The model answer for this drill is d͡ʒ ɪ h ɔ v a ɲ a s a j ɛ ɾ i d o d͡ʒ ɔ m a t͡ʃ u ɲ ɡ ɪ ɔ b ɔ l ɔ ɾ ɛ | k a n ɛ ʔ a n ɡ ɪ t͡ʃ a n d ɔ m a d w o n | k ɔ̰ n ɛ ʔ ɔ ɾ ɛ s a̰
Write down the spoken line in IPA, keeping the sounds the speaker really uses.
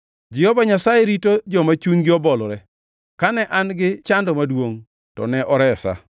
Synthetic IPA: d͡ʒ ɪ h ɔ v a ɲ a s a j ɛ ɾ i t o d͡ʒ ɔ m a t͡ʃ u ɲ ɡ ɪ ɔ b ɔ l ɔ ɾ ɛ | k a n ɛ ʔ a n ɡ ɪ t͡ʃ a n d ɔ m a d w o ŋ | t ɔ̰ n ɛ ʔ ɔ ɾ ɛ s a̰